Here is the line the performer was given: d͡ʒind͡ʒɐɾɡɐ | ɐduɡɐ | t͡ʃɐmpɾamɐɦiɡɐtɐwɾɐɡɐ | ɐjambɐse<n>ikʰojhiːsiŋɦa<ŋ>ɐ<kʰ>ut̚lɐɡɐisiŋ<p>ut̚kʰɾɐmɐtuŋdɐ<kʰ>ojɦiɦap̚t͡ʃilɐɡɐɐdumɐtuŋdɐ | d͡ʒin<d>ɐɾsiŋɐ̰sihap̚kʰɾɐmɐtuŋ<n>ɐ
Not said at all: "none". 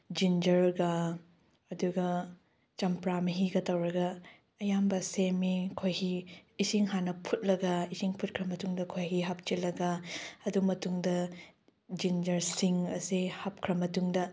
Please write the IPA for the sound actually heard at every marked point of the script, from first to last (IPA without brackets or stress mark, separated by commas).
m, n, pʰ, pʰ, kʰ, d͡ʒ, d